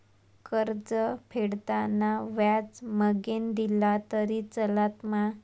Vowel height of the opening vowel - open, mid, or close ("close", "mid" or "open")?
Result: mid